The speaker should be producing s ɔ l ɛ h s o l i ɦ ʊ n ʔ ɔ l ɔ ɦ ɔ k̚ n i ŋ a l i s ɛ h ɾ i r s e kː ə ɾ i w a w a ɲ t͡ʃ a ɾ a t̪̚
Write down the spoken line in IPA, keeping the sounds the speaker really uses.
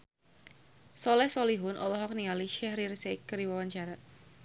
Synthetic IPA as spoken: s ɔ l ɛ h s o l i ɦ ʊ n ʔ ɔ l ɔ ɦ ɔ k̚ n i ŋ a l i ʃ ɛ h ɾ i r s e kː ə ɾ i w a w a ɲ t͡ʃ a ɾ a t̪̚